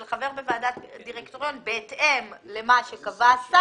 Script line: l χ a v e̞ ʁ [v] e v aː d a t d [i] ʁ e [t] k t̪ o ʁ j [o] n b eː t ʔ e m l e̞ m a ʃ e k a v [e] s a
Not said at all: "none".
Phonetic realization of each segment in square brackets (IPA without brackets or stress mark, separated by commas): b, i, none, o, a